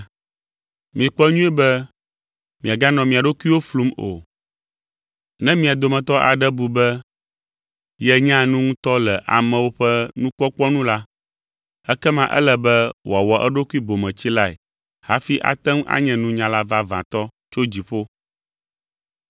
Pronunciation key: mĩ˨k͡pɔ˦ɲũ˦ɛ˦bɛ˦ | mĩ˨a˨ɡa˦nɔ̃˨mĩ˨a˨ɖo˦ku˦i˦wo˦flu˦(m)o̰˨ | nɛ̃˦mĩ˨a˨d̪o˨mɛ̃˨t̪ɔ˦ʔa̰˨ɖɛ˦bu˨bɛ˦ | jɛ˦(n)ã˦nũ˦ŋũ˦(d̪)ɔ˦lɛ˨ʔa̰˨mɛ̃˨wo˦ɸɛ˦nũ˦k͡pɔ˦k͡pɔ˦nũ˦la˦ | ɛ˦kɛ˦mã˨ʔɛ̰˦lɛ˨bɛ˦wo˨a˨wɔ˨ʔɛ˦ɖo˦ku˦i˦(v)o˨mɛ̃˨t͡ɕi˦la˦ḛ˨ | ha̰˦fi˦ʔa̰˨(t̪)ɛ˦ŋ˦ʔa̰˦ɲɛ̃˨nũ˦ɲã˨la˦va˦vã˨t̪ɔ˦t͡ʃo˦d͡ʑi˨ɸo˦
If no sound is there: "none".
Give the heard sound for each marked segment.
m, ɲ, t̪, b, t̪

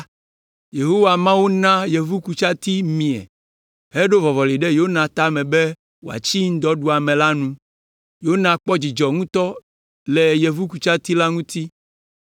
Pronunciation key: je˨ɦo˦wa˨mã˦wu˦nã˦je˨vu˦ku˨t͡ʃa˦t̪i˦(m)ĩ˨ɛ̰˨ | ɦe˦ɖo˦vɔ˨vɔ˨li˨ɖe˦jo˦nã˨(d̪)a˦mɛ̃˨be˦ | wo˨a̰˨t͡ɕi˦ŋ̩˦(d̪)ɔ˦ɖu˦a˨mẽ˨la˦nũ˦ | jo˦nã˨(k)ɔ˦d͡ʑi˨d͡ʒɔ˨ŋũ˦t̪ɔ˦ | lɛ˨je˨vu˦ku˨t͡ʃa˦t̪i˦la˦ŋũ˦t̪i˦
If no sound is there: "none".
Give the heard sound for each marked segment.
m, t̪, d̪, k͡p

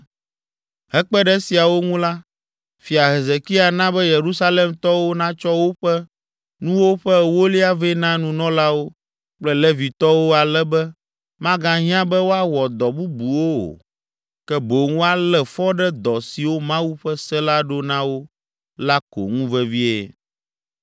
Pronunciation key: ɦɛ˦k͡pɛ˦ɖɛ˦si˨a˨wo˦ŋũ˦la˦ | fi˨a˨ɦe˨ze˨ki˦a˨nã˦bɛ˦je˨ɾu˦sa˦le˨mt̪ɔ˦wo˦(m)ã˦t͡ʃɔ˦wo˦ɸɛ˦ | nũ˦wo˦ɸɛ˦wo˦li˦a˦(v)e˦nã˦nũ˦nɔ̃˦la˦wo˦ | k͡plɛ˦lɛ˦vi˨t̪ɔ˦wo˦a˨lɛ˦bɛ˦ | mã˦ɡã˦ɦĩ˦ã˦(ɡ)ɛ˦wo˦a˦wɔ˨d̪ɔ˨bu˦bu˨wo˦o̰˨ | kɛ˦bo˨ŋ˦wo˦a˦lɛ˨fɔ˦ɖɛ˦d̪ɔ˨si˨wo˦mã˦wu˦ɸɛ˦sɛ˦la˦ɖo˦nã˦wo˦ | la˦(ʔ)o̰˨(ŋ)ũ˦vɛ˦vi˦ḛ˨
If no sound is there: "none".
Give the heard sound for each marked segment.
n, v, b, k, ŋ

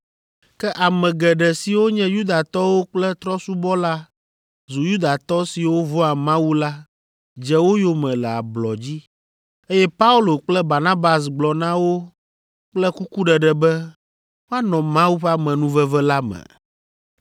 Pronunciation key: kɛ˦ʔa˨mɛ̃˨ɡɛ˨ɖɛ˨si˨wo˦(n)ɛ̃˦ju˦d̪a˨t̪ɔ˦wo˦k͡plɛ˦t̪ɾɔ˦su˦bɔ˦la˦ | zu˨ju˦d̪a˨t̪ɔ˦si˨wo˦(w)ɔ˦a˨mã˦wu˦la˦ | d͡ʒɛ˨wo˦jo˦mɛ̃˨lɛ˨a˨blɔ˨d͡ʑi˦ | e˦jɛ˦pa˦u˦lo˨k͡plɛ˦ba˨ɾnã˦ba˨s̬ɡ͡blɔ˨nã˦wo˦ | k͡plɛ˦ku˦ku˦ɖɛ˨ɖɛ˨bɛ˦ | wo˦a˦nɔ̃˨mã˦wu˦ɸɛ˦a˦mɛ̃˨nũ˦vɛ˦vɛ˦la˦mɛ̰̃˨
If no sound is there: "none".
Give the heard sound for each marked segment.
ɲ, v

